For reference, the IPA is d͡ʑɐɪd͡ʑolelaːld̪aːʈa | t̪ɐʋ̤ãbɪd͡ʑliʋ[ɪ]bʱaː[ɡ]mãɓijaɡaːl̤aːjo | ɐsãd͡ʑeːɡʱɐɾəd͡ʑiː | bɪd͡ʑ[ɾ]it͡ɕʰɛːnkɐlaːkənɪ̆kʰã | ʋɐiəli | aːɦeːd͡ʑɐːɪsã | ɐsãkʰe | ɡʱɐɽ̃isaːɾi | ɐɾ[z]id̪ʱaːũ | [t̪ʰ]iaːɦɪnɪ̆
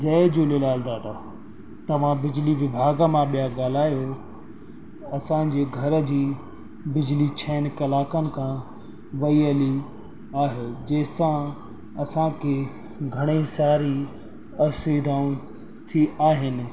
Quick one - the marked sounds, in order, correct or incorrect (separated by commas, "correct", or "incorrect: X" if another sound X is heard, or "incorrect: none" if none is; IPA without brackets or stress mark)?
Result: correct, correct, incorrect: l, incorrect: s, correct